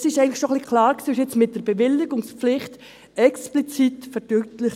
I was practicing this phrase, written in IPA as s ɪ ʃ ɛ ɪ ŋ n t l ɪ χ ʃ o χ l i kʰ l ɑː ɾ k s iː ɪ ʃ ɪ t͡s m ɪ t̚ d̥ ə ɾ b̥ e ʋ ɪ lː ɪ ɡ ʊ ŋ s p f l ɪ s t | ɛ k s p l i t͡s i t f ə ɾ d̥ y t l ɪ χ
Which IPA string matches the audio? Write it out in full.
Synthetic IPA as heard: s ɪ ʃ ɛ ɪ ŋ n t l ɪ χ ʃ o χ l i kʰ l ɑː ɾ k s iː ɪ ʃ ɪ t͡s m ɪ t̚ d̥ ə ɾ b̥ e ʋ ɪ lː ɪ ɡ ʊ ŋ s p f l ɪ χ t | ɛ k s p l i t͡s i t f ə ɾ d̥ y t l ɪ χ